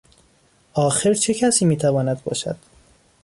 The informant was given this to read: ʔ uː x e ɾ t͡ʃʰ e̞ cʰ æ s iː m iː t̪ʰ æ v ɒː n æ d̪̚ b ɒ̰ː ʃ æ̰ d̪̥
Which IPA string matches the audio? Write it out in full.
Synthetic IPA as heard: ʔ ɒː x e ɾ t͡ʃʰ e̞ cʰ æ s iː m iː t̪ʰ æ v ɒː n æ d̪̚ b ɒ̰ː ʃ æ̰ d̪̥